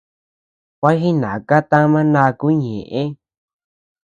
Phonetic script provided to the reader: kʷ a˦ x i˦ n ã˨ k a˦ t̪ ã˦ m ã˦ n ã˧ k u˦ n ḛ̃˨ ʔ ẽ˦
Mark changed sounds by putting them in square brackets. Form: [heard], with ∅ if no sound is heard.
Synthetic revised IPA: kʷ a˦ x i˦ n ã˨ k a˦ t̪ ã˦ m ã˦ n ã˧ k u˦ [ɲ] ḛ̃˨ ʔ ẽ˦